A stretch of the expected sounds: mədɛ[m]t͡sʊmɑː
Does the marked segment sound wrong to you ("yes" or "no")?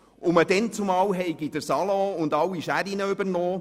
yes